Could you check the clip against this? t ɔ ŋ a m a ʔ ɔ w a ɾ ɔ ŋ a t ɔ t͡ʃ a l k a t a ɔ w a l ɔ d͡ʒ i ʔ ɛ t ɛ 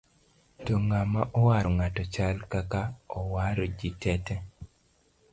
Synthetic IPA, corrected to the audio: t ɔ ŋ a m a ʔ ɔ w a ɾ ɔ ŋ a t ɔ t͡ʃ a l k a k a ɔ w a ɾ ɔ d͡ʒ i t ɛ t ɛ

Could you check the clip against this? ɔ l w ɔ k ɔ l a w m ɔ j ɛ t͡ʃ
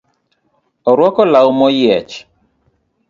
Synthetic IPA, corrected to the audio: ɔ ɾ w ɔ k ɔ l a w m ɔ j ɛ t͡ʃ

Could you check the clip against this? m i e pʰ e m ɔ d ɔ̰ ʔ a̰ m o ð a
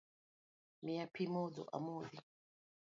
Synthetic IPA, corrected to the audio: m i a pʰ i m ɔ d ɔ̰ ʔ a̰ m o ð i

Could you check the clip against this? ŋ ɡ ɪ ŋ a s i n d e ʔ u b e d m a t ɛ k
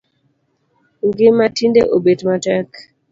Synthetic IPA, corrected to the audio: ŋ ɡ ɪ m a t i n d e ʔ o b e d m a t ɛ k

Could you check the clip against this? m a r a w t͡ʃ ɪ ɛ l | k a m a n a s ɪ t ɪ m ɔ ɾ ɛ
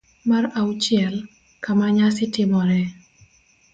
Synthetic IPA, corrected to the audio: m a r a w t͡ʃ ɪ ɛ l | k a m a ɲ a s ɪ t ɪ m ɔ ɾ ɛ

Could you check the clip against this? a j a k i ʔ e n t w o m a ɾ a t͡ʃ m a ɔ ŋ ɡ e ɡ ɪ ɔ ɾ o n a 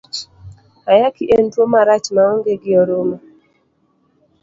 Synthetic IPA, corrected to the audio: a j a k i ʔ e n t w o m a ɾ a t͡ʃ m a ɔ ŋ ɡ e ɡ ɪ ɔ ɾ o m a

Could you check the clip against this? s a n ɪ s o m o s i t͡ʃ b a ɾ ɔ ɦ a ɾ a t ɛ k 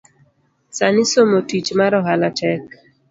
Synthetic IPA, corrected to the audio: s a n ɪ s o m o t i t͡ʃ m a ɾ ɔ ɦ a l a t ɛ k

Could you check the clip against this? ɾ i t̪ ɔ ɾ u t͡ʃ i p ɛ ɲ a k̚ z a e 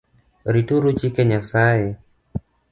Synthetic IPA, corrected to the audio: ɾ i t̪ u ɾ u t͡ʃ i k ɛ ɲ a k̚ s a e

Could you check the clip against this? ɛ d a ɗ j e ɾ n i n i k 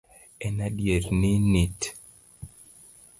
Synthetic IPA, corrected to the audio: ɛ n a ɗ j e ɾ n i n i t

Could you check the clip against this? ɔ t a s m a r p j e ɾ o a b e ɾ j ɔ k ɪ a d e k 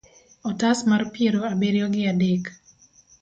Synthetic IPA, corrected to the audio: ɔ t a s m a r p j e ɾ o a b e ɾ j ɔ ɡ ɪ a d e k

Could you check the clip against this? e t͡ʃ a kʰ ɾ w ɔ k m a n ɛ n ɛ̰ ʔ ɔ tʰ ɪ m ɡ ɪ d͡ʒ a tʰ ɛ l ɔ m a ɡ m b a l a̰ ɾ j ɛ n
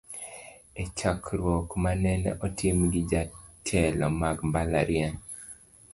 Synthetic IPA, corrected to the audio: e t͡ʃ a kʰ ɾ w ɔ k m a n ɛ n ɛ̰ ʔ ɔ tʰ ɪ m ɡ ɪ d͡ʒ a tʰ ɛ l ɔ m a ɡ m b a l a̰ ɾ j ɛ n

